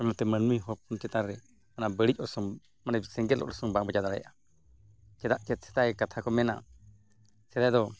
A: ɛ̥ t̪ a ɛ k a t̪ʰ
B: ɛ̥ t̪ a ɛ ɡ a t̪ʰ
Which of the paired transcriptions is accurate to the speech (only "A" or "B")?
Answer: A